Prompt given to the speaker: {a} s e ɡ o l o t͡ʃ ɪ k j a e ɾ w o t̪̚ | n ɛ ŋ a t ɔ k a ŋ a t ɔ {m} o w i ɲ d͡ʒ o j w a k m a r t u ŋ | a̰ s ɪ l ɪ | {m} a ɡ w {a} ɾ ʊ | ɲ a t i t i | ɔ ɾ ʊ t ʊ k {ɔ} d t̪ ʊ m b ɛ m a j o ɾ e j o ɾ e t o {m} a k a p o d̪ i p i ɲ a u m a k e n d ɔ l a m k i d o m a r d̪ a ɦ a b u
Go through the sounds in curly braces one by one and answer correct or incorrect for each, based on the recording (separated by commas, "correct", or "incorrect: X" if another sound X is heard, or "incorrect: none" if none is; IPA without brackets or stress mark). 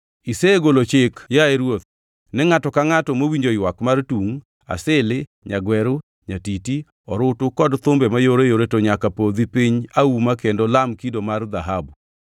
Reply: incorrect: i, correct, incorrect: ɲ, incorrect: ɛ, correct, incorrect: ɲ